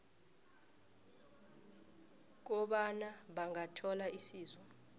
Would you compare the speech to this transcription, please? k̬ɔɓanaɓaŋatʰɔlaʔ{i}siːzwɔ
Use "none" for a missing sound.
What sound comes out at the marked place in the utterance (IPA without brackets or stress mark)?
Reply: i